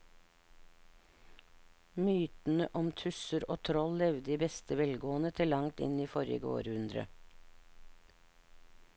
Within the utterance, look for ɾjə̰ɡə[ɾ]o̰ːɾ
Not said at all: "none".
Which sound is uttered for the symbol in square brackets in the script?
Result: none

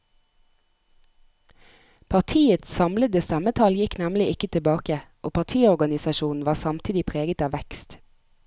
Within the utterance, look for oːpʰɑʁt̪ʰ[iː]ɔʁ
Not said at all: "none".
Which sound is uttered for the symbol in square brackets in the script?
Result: iː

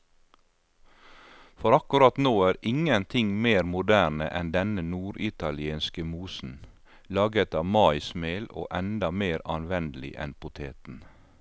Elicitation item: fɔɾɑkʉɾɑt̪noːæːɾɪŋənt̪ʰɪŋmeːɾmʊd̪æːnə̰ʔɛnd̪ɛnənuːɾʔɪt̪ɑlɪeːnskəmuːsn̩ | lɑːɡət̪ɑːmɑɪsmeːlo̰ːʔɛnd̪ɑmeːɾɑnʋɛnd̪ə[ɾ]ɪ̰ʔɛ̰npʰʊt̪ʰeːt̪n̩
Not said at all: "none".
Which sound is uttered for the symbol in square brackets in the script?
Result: l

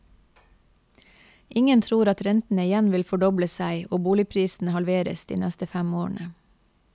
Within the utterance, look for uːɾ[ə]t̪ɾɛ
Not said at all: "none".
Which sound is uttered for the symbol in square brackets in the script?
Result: ɑ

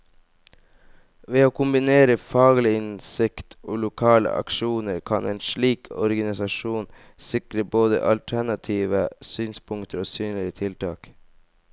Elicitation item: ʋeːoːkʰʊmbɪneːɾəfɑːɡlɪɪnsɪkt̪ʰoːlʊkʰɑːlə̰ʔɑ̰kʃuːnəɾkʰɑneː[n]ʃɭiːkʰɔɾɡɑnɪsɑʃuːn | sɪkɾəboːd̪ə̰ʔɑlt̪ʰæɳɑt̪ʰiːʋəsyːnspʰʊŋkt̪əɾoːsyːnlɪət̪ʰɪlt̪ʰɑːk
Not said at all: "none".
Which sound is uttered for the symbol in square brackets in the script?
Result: n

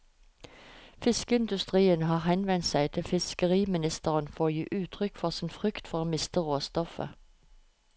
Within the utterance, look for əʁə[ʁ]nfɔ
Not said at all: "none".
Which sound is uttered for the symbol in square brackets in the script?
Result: none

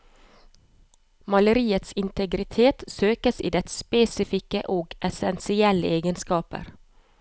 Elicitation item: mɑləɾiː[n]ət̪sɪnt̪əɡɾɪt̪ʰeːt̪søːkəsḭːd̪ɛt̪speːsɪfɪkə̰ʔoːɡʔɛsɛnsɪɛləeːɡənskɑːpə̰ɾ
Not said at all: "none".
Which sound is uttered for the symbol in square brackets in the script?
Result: none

